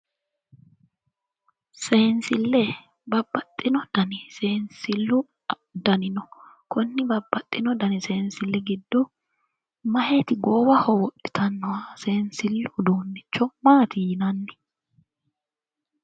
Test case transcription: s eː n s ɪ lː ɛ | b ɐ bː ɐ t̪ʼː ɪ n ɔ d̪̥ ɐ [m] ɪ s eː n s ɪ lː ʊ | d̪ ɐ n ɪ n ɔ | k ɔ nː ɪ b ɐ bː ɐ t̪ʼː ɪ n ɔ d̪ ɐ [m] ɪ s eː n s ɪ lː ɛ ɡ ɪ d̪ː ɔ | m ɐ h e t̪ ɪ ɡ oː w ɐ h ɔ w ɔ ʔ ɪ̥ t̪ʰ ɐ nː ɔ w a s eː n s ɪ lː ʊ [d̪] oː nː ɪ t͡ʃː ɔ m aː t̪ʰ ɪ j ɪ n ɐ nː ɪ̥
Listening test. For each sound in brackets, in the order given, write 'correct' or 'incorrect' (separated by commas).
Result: incorrect, incorrect, correct